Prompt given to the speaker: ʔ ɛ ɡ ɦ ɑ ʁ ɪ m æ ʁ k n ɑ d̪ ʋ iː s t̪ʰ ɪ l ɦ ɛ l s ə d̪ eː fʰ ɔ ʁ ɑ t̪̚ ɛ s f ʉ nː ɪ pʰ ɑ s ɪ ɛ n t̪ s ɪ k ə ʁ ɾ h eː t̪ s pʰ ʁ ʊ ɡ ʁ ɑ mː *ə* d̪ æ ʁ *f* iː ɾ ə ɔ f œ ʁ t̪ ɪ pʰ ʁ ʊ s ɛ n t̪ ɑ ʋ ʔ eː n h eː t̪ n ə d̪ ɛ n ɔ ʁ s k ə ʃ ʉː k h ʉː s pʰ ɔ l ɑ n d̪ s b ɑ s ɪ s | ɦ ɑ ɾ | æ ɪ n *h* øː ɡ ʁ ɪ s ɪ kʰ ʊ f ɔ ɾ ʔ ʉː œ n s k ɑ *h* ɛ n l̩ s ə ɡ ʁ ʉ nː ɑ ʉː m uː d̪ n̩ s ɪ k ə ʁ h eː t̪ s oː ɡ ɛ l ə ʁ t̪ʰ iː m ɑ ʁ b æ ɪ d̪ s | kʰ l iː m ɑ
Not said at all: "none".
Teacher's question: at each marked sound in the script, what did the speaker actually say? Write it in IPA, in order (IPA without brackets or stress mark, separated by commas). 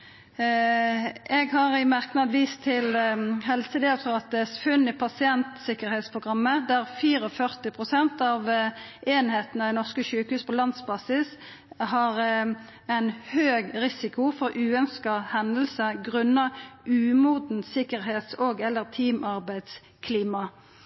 ə, f, h, h